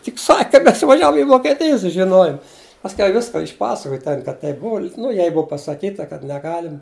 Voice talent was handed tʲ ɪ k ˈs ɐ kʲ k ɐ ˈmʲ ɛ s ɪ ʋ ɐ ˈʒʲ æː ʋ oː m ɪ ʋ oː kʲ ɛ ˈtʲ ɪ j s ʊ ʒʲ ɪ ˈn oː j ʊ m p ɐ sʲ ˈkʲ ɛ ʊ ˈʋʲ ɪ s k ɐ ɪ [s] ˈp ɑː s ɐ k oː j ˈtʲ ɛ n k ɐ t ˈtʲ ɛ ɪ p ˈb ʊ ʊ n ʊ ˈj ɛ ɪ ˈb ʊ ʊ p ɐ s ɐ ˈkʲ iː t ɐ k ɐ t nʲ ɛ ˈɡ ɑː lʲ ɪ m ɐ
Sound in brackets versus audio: incorrect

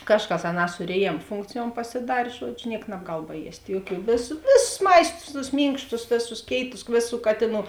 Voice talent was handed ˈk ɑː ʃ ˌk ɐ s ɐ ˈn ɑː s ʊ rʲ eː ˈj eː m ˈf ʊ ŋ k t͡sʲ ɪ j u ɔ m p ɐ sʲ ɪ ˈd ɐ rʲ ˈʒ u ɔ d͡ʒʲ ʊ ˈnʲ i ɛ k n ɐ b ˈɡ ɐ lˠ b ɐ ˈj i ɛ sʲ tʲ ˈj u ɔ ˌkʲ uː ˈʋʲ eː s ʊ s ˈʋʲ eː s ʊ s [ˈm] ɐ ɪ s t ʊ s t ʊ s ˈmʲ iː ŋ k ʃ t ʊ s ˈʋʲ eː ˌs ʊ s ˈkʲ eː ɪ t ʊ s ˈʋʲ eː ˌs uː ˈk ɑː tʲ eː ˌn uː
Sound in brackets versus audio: correct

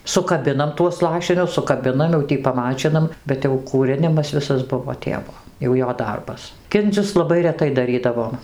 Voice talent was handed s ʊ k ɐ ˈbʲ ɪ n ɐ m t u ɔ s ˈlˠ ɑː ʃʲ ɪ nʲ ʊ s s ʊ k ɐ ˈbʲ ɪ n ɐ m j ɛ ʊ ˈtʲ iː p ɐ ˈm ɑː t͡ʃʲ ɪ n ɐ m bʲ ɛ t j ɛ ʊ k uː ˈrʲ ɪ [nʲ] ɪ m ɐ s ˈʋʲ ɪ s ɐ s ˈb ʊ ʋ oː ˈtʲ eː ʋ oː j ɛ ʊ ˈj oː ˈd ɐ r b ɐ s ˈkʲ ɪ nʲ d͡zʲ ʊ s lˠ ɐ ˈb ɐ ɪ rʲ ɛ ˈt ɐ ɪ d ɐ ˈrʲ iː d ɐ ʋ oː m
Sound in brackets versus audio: correct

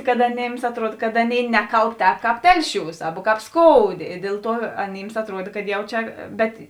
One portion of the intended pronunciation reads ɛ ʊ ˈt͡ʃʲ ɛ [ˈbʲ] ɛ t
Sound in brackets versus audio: correct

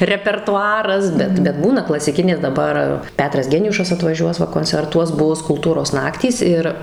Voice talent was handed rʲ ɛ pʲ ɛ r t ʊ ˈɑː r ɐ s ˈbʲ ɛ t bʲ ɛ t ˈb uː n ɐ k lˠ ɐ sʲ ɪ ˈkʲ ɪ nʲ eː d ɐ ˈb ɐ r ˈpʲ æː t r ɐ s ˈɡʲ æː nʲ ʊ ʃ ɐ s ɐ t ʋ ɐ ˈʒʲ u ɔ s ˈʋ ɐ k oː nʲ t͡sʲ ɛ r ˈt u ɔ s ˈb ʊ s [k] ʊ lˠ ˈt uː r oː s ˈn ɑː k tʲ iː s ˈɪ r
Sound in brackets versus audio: correct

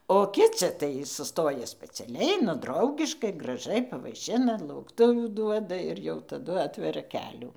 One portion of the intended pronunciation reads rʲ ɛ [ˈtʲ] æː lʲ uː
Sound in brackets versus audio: incorrect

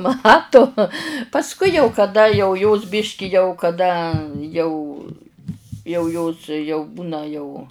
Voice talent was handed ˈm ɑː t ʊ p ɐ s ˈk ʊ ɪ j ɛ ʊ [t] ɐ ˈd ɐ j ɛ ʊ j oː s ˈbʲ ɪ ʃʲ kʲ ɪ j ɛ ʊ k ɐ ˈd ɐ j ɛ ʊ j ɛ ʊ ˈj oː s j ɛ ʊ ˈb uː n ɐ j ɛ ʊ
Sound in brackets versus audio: incorrect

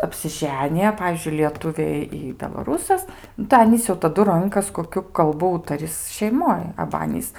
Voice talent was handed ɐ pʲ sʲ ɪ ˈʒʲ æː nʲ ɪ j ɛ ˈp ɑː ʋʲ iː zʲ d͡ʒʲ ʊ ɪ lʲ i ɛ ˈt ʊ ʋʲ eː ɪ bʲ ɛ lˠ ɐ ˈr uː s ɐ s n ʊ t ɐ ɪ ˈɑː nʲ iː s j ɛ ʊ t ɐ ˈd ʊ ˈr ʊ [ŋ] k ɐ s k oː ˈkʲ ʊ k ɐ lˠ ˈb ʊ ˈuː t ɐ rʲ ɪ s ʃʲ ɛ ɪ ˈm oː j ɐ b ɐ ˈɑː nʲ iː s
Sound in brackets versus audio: correct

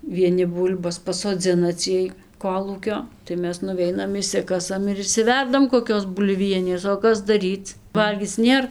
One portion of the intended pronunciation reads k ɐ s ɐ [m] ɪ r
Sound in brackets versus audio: correct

